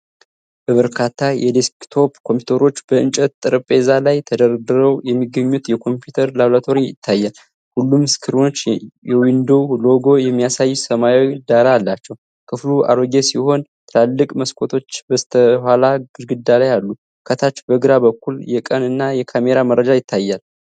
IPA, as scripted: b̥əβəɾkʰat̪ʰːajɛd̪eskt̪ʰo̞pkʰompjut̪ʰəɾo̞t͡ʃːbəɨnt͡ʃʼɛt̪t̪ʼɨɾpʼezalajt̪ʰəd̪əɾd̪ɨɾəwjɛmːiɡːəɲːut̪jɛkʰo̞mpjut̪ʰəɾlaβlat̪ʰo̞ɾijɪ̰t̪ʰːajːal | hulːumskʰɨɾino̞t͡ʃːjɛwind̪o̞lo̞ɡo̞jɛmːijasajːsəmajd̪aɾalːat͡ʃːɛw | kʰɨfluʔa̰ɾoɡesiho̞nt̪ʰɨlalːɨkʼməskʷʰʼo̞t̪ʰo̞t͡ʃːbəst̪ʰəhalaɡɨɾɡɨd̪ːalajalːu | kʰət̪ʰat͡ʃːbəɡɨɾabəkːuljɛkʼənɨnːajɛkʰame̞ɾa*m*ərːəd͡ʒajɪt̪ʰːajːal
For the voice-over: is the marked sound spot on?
yes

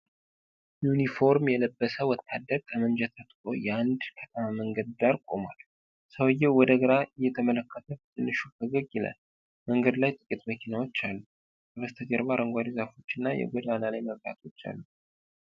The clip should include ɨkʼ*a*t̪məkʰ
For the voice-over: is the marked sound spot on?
no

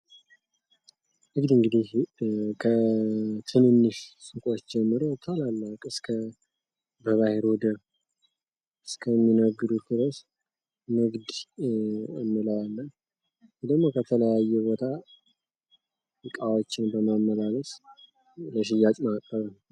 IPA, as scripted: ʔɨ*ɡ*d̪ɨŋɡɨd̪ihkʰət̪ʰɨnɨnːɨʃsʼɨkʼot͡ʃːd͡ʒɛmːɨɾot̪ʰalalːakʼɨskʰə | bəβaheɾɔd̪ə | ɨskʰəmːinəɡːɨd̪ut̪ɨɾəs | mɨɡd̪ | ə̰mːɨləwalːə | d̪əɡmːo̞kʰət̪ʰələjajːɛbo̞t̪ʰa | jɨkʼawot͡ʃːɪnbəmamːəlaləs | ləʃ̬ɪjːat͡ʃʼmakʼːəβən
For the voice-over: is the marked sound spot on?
yes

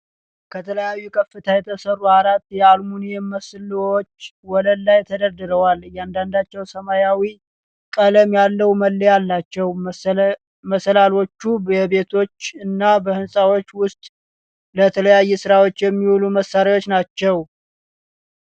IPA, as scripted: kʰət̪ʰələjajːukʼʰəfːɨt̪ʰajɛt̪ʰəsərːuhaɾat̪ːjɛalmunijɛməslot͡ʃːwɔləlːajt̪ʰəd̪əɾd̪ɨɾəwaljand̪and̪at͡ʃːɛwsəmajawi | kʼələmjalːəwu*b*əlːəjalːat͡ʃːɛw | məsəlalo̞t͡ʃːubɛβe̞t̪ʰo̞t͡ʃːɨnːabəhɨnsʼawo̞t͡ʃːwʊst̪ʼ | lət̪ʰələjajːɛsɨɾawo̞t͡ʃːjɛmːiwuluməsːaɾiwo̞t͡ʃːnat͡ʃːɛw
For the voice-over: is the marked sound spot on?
no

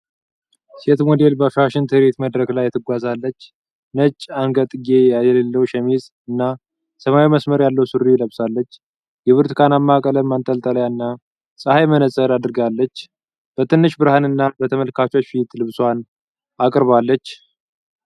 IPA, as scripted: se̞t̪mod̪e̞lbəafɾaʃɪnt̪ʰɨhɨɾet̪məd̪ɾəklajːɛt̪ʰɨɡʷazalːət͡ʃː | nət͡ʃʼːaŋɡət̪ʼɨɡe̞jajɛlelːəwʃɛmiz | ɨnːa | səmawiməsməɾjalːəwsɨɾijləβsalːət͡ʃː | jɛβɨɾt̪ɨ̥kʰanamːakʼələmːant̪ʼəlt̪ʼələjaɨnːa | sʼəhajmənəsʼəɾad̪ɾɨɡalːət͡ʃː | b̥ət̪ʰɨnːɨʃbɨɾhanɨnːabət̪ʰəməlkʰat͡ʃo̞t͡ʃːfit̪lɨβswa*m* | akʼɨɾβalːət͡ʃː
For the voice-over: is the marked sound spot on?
no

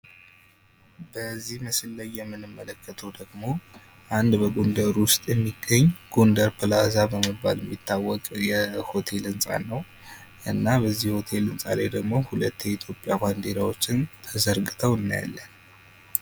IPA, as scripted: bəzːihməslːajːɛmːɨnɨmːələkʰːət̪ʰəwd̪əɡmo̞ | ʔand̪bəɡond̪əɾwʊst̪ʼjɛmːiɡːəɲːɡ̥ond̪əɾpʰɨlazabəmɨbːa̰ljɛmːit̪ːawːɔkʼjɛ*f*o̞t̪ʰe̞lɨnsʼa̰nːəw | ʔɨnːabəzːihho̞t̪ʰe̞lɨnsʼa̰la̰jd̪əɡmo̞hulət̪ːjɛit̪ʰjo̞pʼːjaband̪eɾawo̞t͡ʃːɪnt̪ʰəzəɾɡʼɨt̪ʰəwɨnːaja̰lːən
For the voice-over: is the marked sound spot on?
no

